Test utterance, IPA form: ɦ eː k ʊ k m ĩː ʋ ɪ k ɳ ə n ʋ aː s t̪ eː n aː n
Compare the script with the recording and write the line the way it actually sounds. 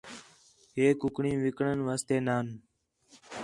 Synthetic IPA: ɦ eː k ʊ k ɳ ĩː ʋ ɪ k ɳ ə n ʋ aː s t̪ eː n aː n